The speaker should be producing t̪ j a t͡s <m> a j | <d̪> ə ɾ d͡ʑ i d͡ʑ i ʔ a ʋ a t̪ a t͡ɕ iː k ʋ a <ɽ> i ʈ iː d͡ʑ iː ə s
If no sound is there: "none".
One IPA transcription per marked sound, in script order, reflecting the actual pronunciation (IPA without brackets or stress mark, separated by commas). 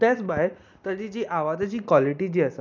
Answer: b, t̪, l